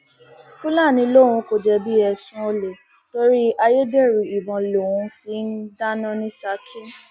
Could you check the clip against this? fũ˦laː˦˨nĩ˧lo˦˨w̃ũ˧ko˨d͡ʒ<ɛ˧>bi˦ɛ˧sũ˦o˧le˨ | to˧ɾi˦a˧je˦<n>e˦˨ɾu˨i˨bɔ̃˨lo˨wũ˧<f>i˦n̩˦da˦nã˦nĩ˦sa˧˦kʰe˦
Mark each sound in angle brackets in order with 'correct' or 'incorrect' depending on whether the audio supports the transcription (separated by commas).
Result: correct, incorrect, correct